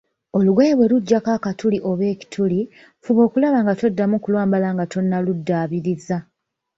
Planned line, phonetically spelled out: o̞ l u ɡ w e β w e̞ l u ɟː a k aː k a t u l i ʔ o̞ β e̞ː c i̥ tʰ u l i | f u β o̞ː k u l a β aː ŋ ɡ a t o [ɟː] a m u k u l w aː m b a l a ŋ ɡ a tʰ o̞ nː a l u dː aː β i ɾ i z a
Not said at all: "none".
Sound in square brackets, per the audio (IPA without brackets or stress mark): dː